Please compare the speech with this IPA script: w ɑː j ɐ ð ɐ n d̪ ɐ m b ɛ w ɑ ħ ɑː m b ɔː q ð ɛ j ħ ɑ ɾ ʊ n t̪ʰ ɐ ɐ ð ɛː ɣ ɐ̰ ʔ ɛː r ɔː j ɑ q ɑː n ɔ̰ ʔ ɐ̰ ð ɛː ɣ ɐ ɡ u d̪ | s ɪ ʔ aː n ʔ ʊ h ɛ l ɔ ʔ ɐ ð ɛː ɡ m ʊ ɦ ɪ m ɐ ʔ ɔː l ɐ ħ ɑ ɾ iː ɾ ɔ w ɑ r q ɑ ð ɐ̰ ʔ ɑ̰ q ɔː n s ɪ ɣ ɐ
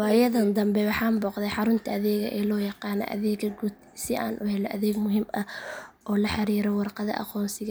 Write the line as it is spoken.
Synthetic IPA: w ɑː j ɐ ð ɐ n d̪ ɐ m b ɛ w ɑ ħ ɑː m b ɔː q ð ɛ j ħ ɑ ɾ ʊ n t̪ʰ ɐ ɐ ð ɛː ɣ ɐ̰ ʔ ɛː l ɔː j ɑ q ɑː n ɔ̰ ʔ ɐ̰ ð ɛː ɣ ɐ ɡ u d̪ | s ɪ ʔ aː n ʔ ʊ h ɛ l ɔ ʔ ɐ ð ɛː ɡ m ʊ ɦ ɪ m ɐ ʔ ɔː l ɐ ħ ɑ ɾ iː ɾ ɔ w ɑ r q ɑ ð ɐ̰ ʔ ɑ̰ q ɔː n s ɪ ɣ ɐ